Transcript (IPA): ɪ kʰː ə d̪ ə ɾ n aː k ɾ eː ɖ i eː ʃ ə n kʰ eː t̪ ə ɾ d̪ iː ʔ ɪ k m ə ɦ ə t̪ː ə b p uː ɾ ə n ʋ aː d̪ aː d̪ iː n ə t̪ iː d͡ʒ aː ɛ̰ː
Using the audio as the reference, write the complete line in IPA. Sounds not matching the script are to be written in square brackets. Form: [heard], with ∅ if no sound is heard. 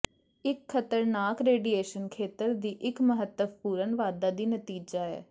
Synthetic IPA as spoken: ɪ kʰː ə [t̪] ə ɾ n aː k ɾ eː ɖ i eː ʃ ə n kʰ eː t̪ ə ɾ d̪ iː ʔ ɪ k m ə ɦ ə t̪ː ə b p uː ɾ ə n ʋ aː d̪ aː d̪ iː n ə t̪ iː d͡ʒ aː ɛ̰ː

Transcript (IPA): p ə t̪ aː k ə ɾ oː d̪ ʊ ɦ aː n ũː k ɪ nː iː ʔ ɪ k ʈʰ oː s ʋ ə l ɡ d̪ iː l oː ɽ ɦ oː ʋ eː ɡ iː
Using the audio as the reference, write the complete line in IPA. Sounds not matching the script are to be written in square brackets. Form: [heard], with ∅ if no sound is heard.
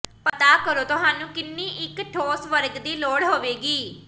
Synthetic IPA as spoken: p ə t̪ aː k ə ɾ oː [t̪] ʊ ɦ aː n ũː k ɪ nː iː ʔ ɪ k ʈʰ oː s ʋ ə [ɾ] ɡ d̪ iː l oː ɽ ɦ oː ʋ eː ɡ iː

